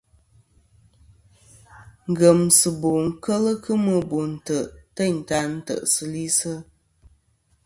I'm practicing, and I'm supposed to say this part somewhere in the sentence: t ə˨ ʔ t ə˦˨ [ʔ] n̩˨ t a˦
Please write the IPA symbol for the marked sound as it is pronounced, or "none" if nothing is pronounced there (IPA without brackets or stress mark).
none